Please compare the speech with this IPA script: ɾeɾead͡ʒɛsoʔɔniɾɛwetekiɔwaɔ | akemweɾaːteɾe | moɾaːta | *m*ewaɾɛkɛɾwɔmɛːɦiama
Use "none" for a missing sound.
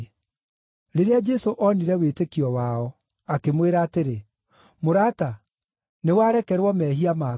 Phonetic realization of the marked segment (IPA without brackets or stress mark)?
n